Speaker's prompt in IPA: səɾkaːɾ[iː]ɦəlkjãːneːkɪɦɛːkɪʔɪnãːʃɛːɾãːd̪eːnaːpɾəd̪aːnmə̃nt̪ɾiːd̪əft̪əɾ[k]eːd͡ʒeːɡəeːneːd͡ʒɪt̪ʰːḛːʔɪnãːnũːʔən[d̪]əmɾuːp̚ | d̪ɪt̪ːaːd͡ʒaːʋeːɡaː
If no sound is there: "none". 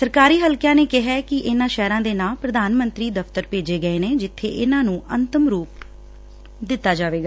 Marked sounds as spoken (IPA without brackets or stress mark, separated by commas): iː, p, t̪